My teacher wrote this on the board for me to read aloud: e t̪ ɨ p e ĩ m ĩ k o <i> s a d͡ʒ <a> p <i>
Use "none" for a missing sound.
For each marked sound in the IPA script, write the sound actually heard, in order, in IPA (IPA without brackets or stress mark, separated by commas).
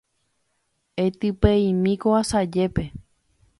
a, e, e